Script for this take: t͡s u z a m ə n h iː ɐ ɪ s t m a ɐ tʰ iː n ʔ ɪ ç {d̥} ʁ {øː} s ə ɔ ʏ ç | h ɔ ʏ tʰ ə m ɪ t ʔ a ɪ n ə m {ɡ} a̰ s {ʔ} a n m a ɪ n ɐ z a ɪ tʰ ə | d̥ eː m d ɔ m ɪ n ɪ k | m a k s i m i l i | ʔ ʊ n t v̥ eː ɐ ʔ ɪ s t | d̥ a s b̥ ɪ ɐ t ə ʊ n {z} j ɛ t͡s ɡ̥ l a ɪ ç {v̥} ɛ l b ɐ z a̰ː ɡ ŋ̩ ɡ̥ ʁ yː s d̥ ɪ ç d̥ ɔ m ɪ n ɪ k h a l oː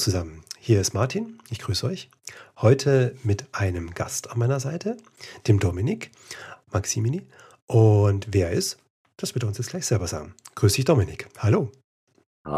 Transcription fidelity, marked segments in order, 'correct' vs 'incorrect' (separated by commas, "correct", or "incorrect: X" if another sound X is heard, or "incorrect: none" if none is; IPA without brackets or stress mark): incorrect: ɡ̥, incorrect: yː, correct, incorrect: t, incorrect: s, incorrect: z̥